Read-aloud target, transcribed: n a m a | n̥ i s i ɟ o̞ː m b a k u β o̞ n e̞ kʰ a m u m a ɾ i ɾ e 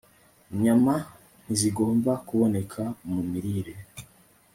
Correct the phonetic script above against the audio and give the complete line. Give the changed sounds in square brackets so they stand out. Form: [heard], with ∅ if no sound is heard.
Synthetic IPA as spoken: [ɲ] a m a | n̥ i [z] i [ɡ] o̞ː m b a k u β o̞ n e̞ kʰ a m u m [i] ɾ i ɾ e